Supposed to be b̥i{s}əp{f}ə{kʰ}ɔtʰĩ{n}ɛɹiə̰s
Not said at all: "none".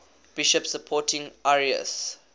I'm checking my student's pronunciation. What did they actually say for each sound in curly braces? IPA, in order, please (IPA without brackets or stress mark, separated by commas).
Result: ʃ, s, pʰ, ŋ